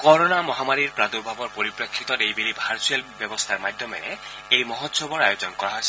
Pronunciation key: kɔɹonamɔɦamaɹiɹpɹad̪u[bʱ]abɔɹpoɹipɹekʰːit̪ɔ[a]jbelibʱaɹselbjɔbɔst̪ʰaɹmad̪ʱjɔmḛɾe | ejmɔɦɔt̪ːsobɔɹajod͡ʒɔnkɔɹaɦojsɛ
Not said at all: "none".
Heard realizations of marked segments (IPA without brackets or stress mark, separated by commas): bʱ, e